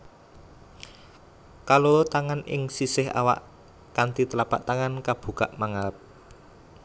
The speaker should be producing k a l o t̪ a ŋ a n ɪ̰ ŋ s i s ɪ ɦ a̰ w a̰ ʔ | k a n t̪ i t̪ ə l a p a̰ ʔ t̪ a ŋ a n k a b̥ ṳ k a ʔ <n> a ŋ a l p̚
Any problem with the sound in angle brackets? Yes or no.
yes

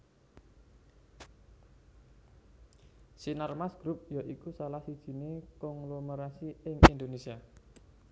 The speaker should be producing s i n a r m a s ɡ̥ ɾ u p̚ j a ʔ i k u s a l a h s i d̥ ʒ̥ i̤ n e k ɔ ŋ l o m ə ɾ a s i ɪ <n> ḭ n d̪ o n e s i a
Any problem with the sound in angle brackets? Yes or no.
yes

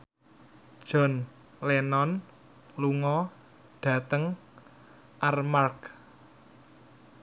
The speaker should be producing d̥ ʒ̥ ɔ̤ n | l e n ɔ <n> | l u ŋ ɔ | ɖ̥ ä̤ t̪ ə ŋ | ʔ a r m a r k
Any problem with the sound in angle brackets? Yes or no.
no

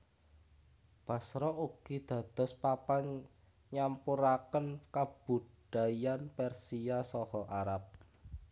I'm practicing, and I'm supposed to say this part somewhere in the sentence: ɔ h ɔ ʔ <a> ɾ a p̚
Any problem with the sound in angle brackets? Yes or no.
no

